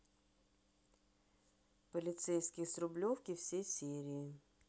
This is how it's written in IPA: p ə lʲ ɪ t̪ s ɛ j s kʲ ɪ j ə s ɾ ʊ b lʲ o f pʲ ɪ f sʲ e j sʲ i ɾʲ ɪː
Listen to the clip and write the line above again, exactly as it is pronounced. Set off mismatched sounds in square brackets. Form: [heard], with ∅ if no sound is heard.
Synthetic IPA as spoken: p ə lʲ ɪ t̪ s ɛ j s kʲ ɪ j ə s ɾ ʊ b lʲ o f [kʲ] ɪ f sʲ e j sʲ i ɾʲ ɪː